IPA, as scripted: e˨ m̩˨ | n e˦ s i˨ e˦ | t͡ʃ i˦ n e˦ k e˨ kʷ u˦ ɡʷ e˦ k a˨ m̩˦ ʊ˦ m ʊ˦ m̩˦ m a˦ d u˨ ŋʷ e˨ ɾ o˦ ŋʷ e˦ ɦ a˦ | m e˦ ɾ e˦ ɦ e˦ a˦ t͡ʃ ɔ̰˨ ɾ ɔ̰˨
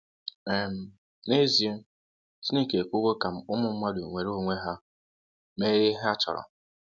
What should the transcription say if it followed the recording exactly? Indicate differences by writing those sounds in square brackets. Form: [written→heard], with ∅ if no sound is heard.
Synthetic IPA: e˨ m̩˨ | n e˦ [s→z] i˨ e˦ | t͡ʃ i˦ n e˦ k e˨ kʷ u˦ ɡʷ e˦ k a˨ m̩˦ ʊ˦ m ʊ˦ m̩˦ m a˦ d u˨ ŋʷ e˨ ɾ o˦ ŋʷ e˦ ɦ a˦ | m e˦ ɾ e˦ ɦ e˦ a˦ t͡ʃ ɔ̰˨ ɾ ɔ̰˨